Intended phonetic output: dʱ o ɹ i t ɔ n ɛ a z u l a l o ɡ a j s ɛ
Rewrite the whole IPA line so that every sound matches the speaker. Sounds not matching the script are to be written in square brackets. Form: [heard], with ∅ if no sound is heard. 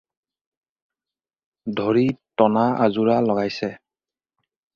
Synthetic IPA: dʱ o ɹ i t ɔ n [a] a z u [ɹ] a l [ɔ] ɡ a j s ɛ